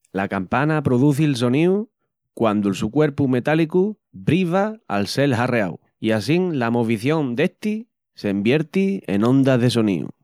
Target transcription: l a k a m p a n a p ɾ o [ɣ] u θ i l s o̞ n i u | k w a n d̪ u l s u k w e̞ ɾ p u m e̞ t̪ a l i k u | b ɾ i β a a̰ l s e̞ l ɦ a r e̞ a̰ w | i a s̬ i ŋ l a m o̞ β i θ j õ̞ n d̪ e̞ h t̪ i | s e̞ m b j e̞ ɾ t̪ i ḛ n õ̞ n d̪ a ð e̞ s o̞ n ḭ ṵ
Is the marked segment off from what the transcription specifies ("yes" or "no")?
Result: yes